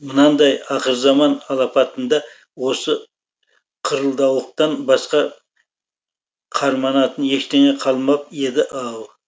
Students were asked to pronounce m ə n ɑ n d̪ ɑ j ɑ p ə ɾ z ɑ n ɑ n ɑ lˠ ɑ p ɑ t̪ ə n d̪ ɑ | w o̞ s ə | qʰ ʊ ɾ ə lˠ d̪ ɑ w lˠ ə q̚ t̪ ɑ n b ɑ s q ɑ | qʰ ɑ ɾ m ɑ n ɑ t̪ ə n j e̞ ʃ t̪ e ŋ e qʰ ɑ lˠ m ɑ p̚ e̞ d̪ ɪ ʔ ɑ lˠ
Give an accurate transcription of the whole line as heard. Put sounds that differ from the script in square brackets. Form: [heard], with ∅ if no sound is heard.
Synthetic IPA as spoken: m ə n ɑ n d̪ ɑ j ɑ [q] ə ɾ z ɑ [m] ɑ n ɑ lˠ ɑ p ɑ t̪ ə n d̪ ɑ | w o̞ s ə | qʰ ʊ ɾ ə lˠ d̪ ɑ w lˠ ə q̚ t̪ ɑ n b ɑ s q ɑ | qʰ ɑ ɾ m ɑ n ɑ t̪ ə n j e̞ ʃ t̪ e ŋ e qʰ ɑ lˠ m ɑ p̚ e̞ d̪ ɪ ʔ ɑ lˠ